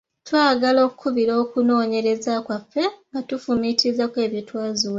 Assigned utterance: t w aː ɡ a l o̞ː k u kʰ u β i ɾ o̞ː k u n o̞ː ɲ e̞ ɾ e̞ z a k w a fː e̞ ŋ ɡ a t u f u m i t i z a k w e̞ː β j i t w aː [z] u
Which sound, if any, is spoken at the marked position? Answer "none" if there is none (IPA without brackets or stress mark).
z